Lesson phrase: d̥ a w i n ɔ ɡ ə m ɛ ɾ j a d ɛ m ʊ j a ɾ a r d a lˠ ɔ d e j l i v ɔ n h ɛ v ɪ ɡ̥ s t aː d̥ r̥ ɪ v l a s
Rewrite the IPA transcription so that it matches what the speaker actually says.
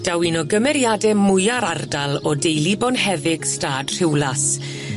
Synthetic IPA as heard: d̥ a w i n ɔ ɡ ə m ɛ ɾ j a d ɛ m ʊ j a ɾ a r d a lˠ ɔ d e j l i b ɔ n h ɛ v ɪ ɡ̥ s t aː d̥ r̥ ɪ w l a s